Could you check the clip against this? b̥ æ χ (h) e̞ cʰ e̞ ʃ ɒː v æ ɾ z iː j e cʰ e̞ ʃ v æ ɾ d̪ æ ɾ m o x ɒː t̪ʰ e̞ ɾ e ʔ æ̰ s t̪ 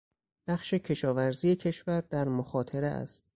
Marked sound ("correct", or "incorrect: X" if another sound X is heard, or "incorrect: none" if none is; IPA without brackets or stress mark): incorrect: ʃ